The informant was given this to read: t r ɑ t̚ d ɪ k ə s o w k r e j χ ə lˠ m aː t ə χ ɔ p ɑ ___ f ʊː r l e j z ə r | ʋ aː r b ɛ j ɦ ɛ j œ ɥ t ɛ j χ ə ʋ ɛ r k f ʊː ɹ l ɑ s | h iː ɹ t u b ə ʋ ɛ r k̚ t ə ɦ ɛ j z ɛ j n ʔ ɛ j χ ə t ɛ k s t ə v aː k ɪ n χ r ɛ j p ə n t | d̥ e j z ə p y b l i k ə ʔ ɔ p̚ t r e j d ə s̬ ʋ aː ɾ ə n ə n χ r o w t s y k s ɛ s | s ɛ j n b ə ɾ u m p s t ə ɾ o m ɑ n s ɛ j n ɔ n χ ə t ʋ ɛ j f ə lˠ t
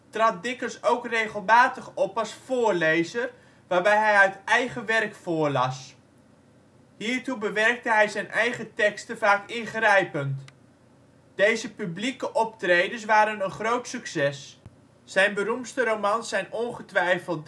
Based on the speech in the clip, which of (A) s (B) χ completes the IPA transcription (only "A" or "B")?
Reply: A